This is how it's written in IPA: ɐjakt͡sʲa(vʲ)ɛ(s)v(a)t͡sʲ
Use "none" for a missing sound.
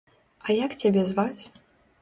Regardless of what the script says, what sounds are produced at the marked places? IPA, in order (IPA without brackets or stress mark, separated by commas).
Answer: bʲ, z, a